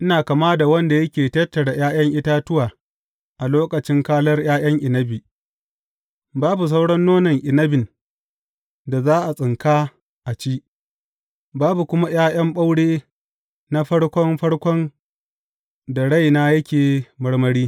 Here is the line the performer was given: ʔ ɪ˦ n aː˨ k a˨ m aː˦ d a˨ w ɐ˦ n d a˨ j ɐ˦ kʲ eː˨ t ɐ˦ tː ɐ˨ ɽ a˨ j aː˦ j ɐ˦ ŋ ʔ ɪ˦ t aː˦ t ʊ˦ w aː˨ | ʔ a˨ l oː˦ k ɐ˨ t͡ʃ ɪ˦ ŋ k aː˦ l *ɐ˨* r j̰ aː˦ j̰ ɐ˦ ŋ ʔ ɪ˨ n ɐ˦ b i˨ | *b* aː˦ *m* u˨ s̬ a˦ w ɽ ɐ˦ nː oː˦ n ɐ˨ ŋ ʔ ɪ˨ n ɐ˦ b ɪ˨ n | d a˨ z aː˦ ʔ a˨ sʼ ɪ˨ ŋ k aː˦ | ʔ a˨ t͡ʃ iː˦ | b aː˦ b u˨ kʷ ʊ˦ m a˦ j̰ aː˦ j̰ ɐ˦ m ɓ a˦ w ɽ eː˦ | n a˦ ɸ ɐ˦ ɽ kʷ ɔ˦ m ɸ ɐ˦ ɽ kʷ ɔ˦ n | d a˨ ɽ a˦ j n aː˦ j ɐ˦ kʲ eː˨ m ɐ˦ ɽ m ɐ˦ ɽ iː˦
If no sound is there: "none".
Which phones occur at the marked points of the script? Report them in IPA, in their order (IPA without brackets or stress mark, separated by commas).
ɐ˦, b, b